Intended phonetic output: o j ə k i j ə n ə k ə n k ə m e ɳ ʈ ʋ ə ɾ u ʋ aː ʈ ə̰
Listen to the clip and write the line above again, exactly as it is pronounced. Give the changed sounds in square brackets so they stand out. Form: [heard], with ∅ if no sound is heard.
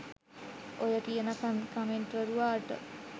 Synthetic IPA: o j ə k i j ə n ə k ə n k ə m e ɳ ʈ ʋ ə ɾ u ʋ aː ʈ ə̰